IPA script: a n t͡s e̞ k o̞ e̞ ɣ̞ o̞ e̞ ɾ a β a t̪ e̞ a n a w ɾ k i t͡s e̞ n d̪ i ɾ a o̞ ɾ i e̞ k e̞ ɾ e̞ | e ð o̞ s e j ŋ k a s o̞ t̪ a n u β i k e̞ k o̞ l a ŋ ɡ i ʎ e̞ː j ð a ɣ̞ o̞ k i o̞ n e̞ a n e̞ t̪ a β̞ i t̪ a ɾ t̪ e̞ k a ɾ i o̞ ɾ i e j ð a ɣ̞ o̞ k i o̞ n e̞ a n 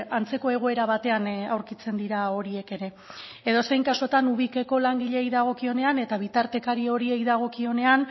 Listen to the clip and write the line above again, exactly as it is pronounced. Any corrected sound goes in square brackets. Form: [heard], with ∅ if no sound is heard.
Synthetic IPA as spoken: a n t͡s e̞ k o̞ e̞ ɣ̞ o̞ e̞ ɾ a β a t̪ e̞ a n a w ɾ k i t͡s e̞ n d̪ i ɾ a o̞ ɾ i e̞ k e̞ ɾ e̞ | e ð o̞ s e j ŋ k a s o̞ t̪ a n u β i k e̞ k o̞ l a ŋ ɡ i ʎ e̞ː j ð a ɣ̞ o̞ k i o̞ n e̞ a n e̞ t̪ a β̞ i t̪ a ɾ t̪ e̞ k a ɾ i o̞ ɾ i e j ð a ɣ̞ o̞ k i o̞ n e̞ a n